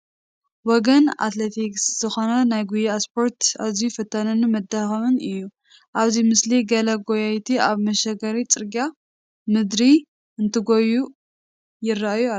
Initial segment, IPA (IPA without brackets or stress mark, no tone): w